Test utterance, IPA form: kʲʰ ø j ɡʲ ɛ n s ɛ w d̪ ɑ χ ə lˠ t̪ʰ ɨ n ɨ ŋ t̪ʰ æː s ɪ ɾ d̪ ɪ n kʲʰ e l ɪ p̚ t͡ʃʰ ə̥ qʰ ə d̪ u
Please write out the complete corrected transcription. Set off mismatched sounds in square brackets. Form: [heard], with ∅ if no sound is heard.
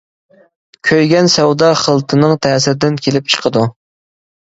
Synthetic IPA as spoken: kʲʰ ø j ɡʲ ɛ n s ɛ w d̪ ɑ χ ə lˠ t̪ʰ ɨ n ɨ ŋ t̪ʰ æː s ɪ ɾ d̪ ɪ n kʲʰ e l ɪ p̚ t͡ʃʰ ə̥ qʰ ə d̪ u